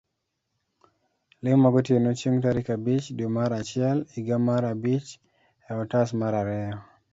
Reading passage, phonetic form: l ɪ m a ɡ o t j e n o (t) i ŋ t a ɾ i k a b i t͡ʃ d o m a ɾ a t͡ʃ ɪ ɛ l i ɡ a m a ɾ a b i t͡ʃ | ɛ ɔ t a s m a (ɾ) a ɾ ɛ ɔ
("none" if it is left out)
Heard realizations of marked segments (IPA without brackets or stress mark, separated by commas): t͡ʃ, ɾ